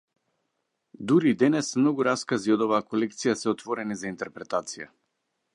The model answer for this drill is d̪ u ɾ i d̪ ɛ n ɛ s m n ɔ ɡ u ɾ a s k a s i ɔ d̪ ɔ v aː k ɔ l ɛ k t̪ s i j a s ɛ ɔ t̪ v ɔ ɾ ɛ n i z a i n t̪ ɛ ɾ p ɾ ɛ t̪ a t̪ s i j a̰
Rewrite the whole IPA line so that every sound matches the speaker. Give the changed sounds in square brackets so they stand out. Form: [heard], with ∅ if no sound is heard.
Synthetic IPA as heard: d̪ u ɾ i d̪ ɛ n ɛ s m n ɔ ɡ u ɾ a s k a [z] i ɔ d̪ ɔ v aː k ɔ l ɛ k t̪ s i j a s ɛ ɔ t̪ v ɔ ɾ ɛ n i z a i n t̪ ɛ ɾ p ɾ ɛ t̪ a t̪ s i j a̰